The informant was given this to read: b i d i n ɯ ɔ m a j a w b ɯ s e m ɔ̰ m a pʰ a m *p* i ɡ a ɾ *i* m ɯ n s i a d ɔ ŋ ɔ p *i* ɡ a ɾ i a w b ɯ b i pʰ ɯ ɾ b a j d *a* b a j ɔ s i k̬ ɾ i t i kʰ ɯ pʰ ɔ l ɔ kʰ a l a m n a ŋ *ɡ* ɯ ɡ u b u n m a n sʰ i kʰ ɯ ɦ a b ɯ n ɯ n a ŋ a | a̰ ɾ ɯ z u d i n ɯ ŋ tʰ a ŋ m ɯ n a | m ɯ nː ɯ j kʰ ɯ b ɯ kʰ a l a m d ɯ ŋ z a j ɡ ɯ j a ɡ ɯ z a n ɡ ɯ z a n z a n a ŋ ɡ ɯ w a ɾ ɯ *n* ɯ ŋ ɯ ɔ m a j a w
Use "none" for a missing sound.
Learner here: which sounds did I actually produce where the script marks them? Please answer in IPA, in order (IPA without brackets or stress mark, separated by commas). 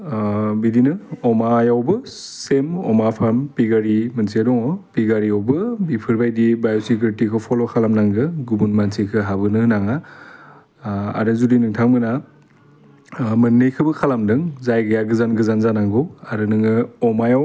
p, i, i, i, ɡ, n